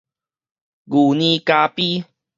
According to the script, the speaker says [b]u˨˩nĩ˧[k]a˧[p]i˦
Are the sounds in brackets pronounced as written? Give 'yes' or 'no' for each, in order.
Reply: no, yes, yes

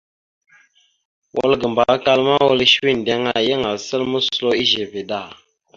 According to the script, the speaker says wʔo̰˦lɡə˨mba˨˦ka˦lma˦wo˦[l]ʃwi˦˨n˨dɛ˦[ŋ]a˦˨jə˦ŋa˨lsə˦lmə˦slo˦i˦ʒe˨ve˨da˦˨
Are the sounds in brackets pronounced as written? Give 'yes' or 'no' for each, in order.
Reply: yes, yes

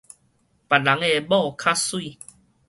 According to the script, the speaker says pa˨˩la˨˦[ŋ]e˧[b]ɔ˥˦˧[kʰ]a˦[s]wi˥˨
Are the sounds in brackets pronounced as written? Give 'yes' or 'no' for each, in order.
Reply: yes, yes, yes, yes

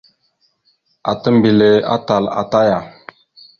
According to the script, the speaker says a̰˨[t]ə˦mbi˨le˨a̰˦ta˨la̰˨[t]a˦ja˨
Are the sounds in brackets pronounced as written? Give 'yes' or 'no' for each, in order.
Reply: yes, yes

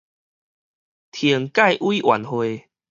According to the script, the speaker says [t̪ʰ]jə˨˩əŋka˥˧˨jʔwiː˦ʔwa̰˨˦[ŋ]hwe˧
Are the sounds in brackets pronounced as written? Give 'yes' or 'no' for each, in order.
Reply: yes, no

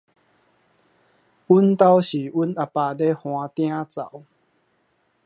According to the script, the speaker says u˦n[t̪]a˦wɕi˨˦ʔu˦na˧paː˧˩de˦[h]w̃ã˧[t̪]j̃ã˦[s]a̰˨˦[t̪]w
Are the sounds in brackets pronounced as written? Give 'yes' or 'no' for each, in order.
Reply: yes, yes, yes, no, no

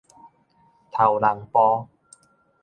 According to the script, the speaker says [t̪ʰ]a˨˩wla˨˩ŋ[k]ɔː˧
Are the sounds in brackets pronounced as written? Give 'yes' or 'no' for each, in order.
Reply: yes, no

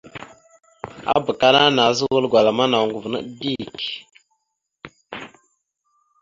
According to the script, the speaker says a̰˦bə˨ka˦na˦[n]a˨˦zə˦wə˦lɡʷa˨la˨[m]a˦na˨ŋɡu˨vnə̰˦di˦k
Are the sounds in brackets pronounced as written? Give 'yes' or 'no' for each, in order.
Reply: yes, yes

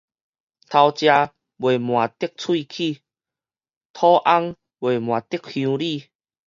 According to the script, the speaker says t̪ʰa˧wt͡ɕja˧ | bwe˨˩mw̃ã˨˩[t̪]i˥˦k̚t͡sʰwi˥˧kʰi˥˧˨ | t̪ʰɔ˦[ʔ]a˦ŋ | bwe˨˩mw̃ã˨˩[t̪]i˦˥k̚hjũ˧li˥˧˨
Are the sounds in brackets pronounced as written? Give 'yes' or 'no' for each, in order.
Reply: yes, yes, yes

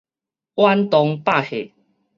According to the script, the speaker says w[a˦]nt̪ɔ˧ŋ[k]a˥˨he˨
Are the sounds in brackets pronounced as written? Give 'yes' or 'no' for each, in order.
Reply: yes, no

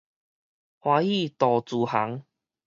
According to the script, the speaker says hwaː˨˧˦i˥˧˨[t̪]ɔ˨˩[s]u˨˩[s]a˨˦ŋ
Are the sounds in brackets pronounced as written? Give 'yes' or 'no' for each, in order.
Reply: yes, no, no

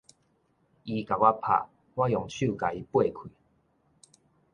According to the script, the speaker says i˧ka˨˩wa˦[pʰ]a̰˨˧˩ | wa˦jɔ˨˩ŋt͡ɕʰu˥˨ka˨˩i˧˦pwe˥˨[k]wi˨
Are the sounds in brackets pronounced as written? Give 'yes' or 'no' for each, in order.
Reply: yes, no

